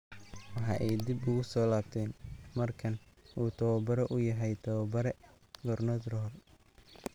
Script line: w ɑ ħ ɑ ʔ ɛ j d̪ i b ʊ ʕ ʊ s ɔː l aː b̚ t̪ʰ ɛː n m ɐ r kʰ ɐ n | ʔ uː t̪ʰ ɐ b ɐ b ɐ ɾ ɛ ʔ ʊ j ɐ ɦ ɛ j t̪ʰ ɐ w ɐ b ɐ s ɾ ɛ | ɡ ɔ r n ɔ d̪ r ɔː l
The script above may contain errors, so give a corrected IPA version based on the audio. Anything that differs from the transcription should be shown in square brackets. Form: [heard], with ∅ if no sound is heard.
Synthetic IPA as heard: w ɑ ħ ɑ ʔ ɛ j d̪ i b ʊ [ɣ] ʊ s ɔː l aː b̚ t̪ʰ ɛː n m ɐ r kʰ ɐ n | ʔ uː t̪ʰ ɐ [w] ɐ b ɐ ɾ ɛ ʔ ʊ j ɐ ɦ ɛ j t̪ʰ ɐ w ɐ b ɐ [∅] ɾ ɛ | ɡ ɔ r n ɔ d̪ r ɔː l